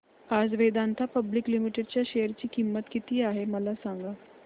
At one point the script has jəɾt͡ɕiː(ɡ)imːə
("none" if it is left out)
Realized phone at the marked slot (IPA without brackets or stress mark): k